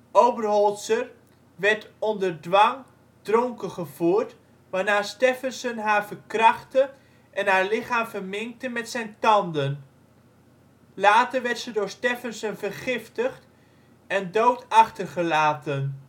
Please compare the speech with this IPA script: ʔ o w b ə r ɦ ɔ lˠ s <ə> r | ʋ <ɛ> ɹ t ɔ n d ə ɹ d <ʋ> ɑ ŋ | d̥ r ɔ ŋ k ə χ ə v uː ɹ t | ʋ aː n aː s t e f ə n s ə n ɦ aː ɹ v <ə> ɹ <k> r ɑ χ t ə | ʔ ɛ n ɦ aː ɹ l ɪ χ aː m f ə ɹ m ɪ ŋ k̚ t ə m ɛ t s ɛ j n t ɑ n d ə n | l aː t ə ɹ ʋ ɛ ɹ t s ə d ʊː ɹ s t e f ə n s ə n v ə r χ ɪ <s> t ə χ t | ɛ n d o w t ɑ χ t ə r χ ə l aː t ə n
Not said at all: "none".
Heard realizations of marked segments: ə, ɛ, ʋ, ə, k, f

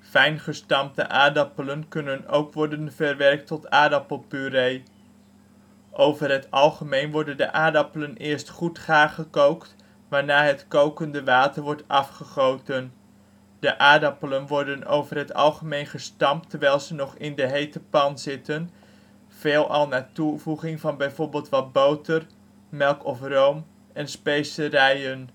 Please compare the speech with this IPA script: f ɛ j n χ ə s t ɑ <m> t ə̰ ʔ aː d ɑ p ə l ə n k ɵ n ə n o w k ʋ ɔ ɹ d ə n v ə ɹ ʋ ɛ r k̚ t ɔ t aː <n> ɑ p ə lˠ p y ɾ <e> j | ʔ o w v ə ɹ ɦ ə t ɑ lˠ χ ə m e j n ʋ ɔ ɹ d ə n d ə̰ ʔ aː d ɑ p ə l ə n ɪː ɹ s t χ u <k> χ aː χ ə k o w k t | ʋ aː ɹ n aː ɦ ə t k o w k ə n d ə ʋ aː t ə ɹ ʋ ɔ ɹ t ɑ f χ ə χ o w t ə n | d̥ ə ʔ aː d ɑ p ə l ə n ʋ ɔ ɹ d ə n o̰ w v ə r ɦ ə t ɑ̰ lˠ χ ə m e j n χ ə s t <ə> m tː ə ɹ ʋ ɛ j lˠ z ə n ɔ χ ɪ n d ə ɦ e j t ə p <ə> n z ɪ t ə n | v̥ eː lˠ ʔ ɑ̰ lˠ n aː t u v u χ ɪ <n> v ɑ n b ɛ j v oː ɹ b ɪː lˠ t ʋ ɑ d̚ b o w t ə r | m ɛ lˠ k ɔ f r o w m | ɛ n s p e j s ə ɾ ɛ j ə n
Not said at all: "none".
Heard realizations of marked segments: m, d, e, t, ɑ, ɑ, ŋ

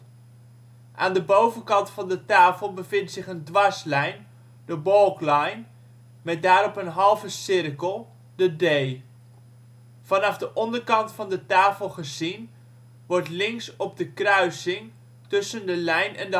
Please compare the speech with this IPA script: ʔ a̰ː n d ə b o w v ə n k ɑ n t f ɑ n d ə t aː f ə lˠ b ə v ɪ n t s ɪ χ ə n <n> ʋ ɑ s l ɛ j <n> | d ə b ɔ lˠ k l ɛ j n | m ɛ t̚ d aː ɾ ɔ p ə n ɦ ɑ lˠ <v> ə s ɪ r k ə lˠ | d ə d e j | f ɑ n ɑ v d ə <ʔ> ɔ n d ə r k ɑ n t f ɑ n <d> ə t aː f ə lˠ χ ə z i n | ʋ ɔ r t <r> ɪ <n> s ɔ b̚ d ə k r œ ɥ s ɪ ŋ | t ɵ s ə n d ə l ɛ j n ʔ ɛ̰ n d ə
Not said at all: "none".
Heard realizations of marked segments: d, n, v, ʔ, d, l, ŋ

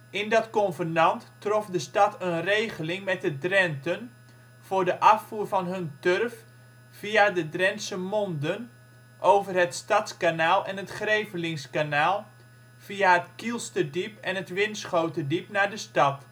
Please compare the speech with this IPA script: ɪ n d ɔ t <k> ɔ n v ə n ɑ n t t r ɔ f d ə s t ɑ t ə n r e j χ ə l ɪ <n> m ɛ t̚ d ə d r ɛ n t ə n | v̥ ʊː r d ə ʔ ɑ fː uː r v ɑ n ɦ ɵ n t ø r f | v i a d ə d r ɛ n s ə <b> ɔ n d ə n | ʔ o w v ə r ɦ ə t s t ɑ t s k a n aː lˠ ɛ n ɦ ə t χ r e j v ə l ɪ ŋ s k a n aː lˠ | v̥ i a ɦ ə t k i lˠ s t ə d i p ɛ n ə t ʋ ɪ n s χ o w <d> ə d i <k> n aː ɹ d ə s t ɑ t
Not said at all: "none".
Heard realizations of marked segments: k, ŋ, m, t, p

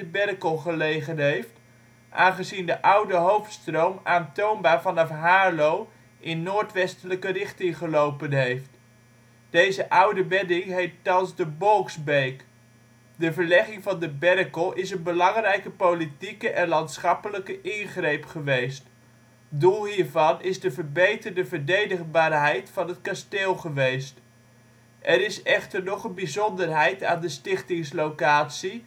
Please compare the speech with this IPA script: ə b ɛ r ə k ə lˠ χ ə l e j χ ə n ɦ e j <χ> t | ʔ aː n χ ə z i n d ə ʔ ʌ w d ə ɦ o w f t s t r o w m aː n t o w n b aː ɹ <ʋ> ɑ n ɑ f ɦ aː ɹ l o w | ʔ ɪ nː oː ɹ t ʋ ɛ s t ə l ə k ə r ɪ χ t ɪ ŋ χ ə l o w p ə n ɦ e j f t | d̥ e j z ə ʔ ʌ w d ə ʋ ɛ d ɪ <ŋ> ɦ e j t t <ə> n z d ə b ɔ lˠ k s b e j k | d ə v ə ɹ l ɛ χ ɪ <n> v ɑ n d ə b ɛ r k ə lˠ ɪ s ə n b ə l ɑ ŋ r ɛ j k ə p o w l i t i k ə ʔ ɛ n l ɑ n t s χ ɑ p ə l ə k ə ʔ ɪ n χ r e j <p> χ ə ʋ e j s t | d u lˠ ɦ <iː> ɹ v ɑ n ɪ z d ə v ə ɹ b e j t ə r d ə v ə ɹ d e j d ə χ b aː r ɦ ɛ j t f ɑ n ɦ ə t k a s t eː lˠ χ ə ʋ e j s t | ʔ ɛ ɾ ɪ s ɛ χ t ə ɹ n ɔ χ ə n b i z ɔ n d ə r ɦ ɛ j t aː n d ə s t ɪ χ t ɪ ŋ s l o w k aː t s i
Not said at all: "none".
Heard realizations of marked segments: f, v, ŋ, ɑ, ŋ, p, iː

